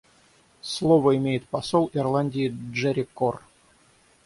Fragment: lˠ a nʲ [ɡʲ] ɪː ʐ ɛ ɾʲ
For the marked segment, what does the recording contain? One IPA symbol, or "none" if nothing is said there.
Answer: dʲ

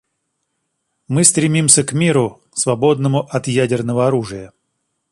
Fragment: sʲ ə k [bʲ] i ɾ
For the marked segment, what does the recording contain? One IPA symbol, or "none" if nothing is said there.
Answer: mʲ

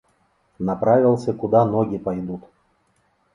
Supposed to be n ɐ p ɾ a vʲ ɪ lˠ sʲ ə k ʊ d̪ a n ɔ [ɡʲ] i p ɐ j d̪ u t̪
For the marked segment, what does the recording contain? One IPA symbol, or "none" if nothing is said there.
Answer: ɡʲ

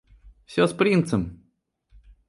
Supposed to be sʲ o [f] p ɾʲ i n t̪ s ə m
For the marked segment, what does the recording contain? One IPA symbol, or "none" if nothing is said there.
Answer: s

